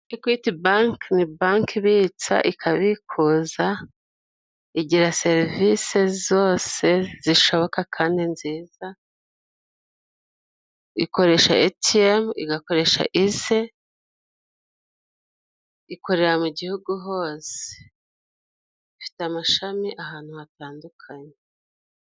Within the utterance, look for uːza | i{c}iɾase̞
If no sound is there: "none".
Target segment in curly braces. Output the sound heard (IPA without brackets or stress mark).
ɟ